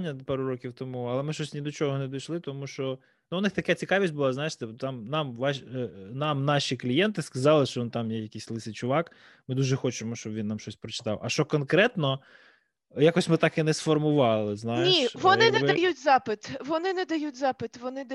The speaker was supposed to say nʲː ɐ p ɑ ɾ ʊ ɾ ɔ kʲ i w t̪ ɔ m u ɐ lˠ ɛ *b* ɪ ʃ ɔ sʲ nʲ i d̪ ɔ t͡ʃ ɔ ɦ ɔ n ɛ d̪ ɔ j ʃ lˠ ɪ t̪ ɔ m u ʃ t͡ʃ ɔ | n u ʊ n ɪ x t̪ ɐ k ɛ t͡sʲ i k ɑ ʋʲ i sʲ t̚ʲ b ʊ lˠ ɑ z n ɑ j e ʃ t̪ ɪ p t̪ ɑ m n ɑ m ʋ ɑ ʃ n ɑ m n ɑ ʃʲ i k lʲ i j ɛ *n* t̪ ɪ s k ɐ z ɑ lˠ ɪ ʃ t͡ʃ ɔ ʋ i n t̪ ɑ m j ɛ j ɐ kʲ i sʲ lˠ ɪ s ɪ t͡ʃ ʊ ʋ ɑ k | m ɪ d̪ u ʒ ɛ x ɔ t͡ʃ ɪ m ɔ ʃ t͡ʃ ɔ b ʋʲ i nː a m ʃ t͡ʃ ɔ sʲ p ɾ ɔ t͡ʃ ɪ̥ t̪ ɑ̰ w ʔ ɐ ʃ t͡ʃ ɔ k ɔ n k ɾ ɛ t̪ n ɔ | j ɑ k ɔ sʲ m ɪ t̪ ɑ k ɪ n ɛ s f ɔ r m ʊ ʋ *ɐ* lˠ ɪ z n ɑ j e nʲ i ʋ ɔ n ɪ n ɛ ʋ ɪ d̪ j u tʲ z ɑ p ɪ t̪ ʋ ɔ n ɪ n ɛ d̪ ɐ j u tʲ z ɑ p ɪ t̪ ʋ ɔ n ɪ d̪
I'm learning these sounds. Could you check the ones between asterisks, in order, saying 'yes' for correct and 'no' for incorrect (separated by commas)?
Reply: no, yes, no